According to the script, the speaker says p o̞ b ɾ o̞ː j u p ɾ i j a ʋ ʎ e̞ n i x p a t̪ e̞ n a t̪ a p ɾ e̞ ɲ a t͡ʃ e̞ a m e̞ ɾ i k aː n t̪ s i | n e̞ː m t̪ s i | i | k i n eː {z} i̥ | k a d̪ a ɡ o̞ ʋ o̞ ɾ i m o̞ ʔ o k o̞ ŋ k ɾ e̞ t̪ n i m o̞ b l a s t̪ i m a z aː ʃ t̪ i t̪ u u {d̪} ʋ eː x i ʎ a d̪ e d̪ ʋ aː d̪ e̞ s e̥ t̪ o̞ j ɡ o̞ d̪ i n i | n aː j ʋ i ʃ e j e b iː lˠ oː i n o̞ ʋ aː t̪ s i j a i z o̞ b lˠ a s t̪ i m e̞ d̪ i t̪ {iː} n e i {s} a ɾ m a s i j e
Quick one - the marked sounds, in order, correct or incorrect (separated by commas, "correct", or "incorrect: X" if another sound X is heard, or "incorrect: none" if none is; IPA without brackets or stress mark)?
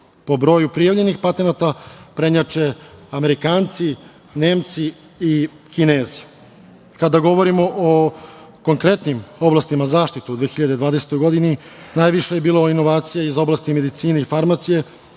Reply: correct, correct, correct, incorrect: f